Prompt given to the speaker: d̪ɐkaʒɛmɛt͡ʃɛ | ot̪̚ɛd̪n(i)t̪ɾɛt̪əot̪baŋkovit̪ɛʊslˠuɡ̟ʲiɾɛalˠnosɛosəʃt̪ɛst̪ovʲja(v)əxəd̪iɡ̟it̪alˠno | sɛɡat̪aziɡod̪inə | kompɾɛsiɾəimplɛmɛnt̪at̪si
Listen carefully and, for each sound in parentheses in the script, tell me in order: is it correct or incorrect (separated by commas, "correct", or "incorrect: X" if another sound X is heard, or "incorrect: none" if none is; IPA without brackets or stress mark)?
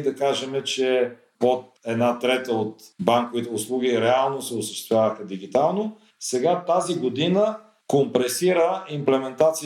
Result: incorrect: a, correct